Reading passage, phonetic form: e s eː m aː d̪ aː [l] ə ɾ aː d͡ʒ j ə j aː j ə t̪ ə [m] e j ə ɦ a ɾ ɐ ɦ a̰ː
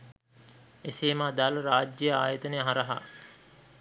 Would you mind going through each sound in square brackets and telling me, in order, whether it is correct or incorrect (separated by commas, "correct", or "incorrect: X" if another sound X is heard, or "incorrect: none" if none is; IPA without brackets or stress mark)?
correct, incorrect: n